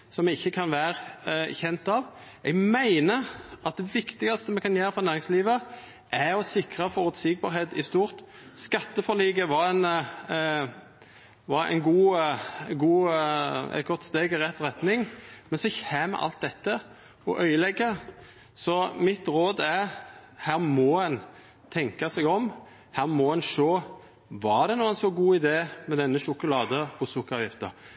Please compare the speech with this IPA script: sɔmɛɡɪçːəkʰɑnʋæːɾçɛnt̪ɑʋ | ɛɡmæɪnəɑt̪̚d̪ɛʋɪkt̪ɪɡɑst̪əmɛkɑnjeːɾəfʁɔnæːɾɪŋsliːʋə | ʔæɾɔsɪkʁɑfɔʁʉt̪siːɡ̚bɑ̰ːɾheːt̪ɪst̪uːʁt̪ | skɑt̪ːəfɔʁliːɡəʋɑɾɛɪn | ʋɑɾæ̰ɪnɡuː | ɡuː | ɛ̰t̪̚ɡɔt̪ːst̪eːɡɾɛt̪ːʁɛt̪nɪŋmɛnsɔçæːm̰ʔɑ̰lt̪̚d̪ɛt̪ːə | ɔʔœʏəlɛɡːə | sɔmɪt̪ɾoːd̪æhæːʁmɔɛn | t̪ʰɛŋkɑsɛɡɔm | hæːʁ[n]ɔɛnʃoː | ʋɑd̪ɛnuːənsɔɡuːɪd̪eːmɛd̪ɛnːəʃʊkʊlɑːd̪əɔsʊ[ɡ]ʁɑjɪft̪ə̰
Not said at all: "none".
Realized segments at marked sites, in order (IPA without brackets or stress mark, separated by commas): m, k